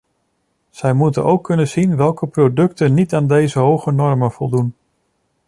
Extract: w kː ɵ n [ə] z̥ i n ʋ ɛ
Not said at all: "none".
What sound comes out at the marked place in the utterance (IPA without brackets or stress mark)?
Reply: ə